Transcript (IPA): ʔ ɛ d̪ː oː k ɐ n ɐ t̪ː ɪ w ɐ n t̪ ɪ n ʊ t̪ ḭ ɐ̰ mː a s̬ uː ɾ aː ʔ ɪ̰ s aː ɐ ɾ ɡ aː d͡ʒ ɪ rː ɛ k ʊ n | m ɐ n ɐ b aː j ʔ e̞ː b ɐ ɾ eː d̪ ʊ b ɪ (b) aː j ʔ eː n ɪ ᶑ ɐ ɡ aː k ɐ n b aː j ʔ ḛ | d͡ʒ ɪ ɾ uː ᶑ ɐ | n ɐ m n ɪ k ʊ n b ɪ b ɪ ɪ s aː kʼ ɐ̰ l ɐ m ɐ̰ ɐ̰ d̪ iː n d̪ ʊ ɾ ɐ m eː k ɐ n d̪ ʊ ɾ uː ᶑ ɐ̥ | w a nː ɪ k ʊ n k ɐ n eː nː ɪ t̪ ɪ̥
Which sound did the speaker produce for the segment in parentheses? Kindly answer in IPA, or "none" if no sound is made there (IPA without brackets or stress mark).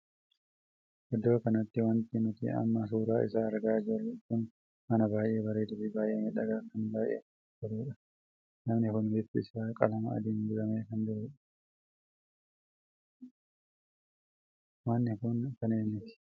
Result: b